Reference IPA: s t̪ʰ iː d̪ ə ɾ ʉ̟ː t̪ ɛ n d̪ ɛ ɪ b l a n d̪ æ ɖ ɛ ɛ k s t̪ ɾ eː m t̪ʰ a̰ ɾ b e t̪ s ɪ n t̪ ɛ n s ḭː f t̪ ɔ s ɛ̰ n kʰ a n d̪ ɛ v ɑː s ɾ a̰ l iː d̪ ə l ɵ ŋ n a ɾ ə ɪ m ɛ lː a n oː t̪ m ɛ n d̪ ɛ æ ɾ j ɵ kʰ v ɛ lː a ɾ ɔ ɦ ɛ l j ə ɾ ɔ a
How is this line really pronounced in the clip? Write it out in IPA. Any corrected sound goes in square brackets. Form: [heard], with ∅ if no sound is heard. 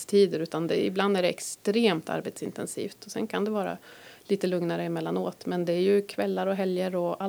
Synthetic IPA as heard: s t̪ʰ iː d̪ ə ɾ ʉ̟ː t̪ [a] n d̪ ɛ ɪ b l a n d̪ æ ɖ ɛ ɛ k s t̪ ɾ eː m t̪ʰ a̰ ɾ b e t̪ s ɪ n t̪ ɛ n s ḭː f t̪ ɔ s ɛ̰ n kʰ a n d̪ ɛ v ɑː [∅] ɾ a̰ l iː [t̪] ə l ɵ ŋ n a ɾ ə ɪ m ɛ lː a n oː t̪ m ɛ n d̪ ɛ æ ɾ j ɵ kʰ v ɛ lː a ɾ ɔ ɦ ɛ l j ə ɾ ɔ a